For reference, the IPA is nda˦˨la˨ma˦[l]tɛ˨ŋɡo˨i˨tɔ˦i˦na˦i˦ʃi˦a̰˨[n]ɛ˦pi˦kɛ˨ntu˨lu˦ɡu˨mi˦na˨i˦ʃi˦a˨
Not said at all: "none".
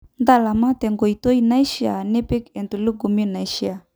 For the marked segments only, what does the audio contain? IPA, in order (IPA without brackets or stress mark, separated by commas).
none, n